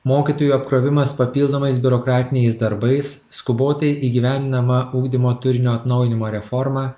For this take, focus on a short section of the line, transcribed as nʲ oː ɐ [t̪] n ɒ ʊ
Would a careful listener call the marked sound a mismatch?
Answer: no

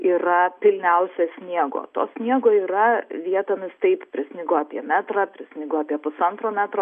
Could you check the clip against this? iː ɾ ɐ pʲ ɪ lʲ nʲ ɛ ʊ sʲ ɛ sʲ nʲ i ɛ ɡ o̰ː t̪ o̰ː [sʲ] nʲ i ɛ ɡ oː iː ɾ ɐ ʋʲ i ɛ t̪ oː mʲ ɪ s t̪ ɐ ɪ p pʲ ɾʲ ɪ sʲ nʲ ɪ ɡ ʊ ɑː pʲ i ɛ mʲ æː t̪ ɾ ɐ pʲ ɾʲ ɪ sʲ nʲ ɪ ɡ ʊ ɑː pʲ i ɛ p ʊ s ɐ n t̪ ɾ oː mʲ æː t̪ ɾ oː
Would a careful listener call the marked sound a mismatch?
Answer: no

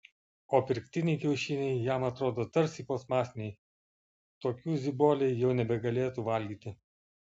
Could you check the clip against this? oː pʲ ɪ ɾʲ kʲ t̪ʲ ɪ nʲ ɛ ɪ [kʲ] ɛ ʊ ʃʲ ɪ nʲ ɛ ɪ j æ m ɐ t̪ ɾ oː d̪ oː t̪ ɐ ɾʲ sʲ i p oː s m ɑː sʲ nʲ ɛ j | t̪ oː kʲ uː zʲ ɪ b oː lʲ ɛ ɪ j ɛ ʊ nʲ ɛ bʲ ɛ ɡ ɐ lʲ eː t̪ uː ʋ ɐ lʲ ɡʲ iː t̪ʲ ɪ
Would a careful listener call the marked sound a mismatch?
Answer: no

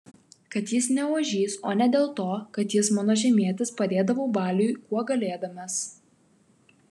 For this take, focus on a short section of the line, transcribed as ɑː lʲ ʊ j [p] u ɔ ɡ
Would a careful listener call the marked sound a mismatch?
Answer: yes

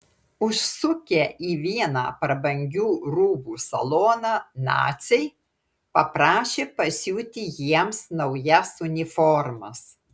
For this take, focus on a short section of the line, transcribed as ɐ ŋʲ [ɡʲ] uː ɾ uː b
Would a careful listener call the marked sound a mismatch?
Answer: no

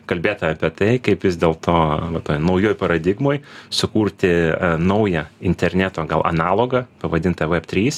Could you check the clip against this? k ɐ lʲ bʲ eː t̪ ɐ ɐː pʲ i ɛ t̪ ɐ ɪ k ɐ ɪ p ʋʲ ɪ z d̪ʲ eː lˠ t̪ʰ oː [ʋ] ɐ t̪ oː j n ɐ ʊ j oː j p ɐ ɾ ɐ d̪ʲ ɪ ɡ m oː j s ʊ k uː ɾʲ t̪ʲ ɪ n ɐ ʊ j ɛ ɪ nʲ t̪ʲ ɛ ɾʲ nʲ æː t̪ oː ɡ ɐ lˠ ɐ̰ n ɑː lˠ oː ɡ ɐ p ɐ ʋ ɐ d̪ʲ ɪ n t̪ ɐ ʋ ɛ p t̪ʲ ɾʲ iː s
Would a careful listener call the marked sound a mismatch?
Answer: no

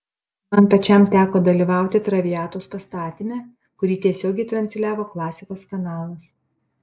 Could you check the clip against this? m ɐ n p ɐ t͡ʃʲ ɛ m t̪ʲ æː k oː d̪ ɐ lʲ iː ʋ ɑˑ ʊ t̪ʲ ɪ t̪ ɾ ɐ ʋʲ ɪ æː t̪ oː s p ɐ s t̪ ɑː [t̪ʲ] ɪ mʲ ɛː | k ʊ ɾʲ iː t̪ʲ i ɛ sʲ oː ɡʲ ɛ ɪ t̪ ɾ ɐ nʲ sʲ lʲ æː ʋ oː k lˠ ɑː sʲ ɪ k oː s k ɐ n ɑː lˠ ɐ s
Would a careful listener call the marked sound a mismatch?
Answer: no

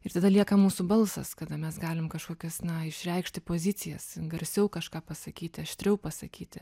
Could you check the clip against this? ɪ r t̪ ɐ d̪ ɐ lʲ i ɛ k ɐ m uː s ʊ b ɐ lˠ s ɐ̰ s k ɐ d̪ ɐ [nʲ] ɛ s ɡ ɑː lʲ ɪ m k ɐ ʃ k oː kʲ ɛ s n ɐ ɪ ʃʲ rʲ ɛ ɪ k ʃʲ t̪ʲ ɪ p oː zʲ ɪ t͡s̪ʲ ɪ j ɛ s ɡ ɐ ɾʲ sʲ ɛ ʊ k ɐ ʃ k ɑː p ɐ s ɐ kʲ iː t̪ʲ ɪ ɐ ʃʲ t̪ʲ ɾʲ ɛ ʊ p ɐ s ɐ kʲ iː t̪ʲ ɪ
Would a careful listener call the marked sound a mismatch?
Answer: yes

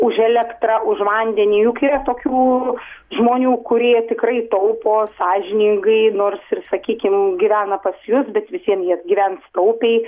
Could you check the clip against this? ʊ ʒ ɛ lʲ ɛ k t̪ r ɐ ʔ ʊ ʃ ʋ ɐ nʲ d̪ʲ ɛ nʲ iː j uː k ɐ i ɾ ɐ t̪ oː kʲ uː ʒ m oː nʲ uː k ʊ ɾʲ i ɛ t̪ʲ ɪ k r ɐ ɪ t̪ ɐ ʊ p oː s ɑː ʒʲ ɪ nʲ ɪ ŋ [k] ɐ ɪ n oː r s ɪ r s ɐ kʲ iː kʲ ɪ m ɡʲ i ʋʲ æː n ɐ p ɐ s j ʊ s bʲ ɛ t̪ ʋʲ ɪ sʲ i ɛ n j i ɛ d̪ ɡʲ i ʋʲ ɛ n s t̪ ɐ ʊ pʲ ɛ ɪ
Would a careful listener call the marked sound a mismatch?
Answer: yes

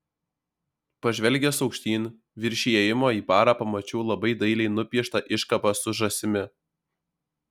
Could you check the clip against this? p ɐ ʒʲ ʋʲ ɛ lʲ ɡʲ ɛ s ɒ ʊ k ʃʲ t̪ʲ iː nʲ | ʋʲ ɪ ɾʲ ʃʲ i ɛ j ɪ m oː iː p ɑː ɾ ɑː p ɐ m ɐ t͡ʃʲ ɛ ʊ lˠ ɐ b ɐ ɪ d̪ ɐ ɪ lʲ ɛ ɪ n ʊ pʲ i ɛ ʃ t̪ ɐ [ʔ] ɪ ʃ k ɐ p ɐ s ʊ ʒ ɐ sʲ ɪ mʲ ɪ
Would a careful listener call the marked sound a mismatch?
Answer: no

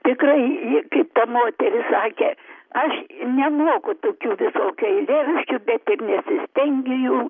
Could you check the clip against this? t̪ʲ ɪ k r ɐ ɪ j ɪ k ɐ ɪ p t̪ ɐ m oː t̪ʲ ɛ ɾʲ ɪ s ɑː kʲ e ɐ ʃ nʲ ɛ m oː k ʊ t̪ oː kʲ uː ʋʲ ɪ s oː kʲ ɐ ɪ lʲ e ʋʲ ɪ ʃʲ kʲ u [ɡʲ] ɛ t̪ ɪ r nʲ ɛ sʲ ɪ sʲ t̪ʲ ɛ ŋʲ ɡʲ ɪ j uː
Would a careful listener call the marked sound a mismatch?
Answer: yes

